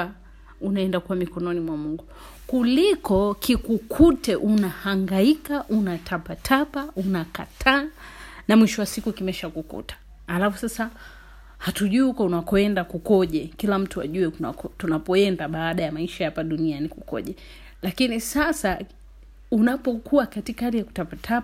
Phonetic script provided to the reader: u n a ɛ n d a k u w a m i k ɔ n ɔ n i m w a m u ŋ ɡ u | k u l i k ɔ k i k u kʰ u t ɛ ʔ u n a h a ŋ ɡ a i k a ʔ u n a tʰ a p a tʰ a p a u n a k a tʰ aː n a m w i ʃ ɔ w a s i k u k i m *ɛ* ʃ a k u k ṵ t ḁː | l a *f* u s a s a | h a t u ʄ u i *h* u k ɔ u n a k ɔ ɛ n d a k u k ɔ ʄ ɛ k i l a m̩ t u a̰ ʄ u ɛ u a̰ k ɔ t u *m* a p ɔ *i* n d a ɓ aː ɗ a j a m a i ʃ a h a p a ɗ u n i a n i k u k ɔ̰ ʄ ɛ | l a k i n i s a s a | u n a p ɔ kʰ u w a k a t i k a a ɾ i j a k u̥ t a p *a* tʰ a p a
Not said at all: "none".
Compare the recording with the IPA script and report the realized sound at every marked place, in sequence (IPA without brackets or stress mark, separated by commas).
ɛ, f, h, n, ɛ, a